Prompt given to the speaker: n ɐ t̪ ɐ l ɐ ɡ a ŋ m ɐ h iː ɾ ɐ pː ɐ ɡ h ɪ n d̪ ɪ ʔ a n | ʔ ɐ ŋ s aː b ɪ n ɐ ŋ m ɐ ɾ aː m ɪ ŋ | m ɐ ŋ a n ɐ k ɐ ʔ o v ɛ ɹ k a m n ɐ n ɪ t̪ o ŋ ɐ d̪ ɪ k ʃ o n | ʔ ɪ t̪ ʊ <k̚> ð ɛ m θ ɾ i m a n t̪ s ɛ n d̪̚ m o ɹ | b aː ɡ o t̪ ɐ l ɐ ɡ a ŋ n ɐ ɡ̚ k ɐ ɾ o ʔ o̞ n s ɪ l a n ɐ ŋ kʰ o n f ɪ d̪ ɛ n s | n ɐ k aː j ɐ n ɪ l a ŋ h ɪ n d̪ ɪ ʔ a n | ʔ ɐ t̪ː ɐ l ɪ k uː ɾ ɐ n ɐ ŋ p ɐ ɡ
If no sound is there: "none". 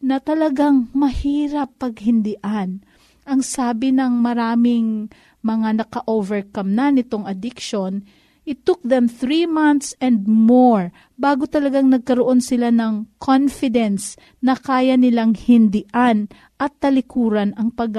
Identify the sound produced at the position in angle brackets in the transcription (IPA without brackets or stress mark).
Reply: k̚